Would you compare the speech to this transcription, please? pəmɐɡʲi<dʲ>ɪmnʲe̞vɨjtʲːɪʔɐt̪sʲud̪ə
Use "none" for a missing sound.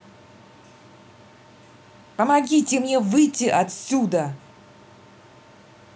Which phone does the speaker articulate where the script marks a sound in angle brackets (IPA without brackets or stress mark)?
tʲ